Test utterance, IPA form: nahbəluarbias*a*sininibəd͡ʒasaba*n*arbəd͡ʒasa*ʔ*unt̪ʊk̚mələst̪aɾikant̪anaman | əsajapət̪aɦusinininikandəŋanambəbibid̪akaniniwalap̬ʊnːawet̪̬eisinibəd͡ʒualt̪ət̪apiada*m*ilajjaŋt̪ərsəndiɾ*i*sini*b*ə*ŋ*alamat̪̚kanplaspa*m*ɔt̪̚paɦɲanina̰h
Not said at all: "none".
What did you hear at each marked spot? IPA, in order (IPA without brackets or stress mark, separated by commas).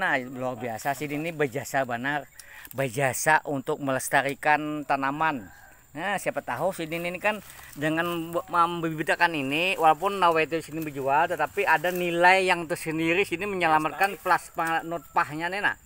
a, n, ʔ, n, i, m, ɲ, n